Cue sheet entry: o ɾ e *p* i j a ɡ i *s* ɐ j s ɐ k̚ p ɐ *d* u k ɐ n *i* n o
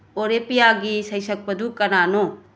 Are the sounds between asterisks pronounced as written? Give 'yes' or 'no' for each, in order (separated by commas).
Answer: yes, yes, yes, no